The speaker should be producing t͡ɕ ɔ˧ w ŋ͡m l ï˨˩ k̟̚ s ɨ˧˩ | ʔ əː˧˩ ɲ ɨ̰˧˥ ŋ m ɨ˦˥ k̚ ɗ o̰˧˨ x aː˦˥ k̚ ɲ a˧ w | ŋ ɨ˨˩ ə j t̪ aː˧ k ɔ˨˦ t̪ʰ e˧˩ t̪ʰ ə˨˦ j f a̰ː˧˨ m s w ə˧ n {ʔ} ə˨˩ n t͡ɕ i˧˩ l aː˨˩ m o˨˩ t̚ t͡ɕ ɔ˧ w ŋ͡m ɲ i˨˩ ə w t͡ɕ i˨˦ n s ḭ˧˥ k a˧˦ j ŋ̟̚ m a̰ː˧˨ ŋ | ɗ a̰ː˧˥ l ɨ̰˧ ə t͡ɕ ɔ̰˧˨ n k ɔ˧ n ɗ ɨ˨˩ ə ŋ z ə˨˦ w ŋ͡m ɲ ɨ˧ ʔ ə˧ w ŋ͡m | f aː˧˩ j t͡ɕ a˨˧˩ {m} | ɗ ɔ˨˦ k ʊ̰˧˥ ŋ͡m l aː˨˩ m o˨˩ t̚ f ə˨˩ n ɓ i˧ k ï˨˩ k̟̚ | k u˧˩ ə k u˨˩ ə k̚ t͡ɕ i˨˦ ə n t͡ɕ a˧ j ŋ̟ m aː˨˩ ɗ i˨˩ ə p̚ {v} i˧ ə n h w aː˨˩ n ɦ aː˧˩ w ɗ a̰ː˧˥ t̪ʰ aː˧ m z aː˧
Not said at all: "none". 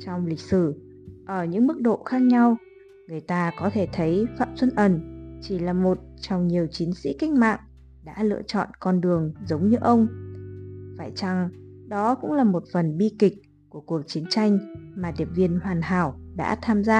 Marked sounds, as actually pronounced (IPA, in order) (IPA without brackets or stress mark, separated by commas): ʔ, ŋ, v